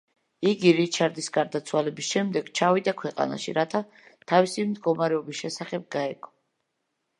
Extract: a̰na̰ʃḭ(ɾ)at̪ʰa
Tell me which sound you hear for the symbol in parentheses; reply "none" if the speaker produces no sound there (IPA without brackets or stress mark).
ɾ